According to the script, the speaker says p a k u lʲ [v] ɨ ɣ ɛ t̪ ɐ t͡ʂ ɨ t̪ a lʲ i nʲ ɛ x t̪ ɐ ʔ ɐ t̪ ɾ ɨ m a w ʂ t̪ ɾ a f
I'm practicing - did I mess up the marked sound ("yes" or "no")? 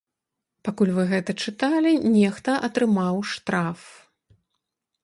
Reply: no